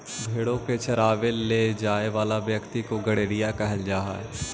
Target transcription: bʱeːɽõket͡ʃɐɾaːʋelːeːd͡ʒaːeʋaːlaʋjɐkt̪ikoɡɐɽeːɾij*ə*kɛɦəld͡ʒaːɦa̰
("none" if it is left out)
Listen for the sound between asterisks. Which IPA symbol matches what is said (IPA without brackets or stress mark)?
a